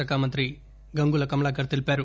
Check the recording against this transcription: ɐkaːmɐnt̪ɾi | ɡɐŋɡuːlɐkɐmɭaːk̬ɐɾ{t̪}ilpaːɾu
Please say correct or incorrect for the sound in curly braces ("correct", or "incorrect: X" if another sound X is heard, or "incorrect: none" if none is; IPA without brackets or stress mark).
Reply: correct